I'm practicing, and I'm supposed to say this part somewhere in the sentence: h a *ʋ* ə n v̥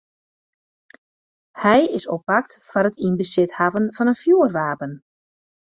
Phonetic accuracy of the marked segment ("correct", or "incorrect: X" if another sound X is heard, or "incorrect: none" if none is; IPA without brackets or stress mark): incorrect: v